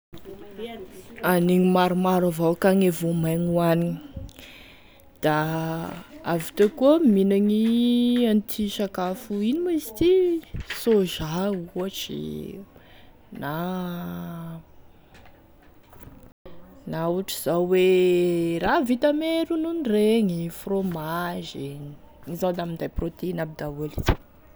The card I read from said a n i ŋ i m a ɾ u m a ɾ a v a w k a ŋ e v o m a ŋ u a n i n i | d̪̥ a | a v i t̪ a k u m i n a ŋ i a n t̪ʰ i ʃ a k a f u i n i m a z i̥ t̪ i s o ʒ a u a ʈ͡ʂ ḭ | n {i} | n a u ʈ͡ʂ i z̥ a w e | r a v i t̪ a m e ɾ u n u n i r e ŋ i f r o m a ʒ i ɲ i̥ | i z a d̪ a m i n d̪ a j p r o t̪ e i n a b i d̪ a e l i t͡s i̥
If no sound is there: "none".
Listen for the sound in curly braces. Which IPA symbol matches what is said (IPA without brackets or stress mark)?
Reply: a